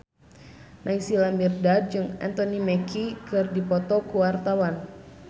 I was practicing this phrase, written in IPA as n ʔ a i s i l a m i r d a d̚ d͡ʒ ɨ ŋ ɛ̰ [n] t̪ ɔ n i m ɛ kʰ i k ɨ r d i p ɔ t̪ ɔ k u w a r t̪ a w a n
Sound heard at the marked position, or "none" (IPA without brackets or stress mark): n